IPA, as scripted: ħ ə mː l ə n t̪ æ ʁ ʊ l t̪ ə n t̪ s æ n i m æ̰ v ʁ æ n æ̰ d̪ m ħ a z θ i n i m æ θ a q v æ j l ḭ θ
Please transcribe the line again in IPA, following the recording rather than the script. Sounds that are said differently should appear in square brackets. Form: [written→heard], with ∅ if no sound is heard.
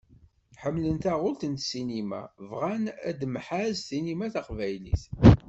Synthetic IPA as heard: ħ ə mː l ə n t̪ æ ʁ ʊ l t̪ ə n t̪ s [æ→i] n i m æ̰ v ʁ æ n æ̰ d̪ m ħ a z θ i n i m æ θ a q v æ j l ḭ θ